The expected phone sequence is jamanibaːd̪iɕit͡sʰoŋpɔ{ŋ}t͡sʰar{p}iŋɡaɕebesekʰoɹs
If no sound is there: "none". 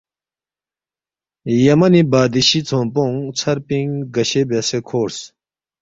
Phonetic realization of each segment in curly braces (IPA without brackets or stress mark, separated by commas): ŋ, p